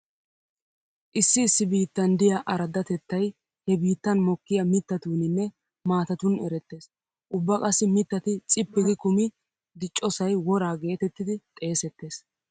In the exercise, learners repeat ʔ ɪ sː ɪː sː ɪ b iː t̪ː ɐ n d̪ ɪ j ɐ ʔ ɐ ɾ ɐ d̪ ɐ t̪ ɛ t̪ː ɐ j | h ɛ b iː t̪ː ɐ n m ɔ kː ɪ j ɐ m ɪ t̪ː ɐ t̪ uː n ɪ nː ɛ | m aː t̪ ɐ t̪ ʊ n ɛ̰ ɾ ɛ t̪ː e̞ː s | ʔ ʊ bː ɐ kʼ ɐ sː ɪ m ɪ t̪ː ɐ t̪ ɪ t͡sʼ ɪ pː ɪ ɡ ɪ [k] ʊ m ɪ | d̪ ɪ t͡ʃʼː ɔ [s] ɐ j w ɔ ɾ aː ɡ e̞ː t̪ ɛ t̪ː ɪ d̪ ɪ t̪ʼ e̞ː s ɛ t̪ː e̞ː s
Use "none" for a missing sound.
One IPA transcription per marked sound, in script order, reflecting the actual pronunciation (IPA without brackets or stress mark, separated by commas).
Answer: k, s